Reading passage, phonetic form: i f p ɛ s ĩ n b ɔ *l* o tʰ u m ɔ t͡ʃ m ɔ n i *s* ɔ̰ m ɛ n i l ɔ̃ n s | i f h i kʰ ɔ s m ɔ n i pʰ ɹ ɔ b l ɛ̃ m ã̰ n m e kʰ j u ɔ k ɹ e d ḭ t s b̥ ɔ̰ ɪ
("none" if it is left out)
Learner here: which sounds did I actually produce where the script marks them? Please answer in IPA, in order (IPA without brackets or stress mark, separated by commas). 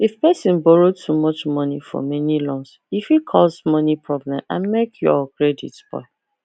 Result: ɹ, f